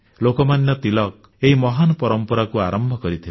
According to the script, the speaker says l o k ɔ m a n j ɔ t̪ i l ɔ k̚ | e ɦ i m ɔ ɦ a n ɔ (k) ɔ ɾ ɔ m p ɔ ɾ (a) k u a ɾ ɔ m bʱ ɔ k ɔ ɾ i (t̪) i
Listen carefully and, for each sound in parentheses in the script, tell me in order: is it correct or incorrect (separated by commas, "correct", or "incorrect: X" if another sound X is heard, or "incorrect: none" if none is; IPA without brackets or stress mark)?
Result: incorrect: p, correct, incorrect: t̪ʰ